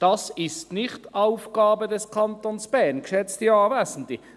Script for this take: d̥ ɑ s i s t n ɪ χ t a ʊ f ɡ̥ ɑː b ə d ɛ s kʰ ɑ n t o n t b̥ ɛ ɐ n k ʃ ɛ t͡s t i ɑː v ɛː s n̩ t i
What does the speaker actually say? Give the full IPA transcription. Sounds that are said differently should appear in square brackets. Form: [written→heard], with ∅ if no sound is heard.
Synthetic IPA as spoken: d̥ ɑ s [i→ɪ] s t n ɪ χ t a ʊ f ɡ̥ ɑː b ə d ɛ s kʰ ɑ n t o n [t→s] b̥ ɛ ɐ n k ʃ ɛ t͡s t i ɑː v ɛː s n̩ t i